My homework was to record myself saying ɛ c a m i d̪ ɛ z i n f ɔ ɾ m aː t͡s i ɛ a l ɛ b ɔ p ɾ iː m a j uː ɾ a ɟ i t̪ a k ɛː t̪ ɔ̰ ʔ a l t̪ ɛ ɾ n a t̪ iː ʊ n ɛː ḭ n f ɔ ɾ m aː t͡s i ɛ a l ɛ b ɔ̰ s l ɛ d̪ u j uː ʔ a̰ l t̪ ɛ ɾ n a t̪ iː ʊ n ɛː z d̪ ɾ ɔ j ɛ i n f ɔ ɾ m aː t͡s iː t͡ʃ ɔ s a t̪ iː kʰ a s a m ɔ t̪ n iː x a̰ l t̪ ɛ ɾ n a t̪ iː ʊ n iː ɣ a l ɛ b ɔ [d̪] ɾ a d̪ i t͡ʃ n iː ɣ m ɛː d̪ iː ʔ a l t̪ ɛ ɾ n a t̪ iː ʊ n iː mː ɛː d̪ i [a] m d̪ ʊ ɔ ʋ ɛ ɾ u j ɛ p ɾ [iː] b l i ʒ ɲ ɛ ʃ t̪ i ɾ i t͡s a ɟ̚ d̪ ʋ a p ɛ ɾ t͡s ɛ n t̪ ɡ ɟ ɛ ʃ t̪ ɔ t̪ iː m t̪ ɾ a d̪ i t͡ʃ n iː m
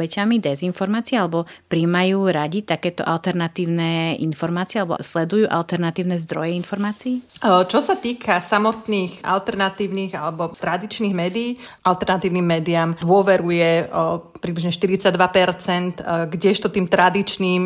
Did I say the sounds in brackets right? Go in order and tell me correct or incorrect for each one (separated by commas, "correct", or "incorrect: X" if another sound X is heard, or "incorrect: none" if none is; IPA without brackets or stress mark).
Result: incorrect: t̪, correct, incorrect: i